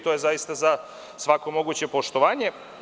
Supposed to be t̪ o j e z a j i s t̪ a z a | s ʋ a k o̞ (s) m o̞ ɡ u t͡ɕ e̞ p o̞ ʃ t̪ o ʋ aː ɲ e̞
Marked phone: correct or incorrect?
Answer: incorrect